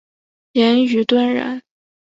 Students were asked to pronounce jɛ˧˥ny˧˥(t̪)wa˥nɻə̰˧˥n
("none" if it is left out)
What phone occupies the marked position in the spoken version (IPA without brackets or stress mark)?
t̪